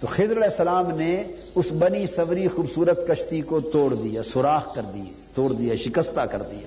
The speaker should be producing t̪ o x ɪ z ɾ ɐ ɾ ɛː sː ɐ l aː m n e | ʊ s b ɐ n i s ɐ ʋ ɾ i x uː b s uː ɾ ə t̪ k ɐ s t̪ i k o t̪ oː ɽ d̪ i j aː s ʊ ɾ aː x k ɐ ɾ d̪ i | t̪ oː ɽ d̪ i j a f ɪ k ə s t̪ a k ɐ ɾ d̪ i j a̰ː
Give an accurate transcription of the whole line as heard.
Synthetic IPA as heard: t̪ o x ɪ z ɾ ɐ l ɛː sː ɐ l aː m n e | ʊ s b ɐ n i s ɐ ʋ ɾ i x uː b s uː ɾ ə t̪ k ɐ ʃ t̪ i k o t̪ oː ɽ d̪ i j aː s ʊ ɾ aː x k ɐ ɾ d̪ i | t̪ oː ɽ d̪ i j a ʃ ɪ k ə s t̪ a k ɐ ɾ d̪ i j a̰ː